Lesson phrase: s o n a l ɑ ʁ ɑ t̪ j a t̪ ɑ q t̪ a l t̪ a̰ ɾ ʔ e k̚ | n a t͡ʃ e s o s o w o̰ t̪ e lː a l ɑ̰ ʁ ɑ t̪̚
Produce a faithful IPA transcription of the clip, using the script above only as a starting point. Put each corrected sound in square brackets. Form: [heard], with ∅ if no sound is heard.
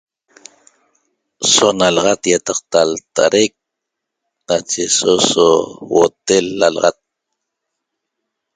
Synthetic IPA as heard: s o n a l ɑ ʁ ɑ t̪ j a t̪ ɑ q t̪ a l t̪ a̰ ɾ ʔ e k̚ | n a t͡ʃ e s o s o w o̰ t̪ e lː a l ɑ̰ ʁ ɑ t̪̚